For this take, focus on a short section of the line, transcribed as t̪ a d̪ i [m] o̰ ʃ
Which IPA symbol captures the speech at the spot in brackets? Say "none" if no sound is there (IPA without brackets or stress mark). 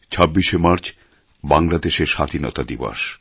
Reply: b